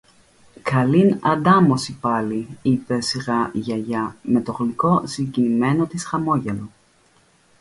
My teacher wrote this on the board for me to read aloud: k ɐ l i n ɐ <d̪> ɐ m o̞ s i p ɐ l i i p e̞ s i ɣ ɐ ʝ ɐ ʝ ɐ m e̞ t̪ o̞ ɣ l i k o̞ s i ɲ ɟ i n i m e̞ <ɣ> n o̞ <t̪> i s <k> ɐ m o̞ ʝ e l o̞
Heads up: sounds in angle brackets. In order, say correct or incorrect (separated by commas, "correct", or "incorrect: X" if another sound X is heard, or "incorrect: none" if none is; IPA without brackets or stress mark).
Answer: correct, incorrect: none, correct, incorrect: x